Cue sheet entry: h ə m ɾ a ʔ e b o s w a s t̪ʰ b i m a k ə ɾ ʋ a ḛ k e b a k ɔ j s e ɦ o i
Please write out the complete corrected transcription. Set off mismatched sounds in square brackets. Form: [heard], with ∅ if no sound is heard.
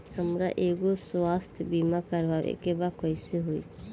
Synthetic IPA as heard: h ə m ɾ a ʔ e [ɡ] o s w a s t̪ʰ b i m a k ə ɾ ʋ a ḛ k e b a k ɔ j s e ɦ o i